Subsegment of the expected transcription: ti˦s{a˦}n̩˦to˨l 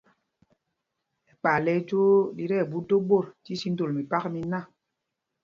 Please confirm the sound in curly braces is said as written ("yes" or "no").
no